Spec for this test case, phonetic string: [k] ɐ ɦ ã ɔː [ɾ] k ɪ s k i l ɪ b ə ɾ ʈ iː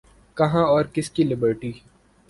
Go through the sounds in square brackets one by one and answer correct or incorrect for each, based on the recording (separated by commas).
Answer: correct, correct